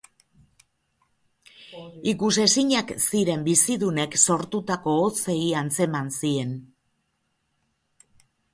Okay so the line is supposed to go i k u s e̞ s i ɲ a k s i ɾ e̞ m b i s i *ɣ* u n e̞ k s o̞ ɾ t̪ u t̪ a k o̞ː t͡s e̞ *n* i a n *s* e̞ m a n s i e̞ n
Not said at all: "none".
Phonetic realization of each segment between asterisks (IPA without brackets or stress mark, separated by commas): ð, none, t͡s